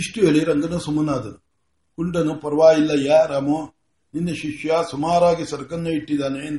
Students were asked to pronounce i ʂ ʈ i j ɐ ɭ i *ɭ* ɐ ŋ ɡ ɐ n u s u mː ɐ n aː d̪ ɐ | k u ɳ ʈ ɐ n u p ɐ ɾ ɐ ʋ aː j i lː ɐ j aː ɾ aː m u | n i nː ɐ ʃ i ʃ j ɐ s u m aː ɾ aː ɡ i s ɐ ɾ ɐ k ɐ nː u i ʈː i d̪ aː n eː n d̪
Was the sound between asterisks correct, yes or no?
no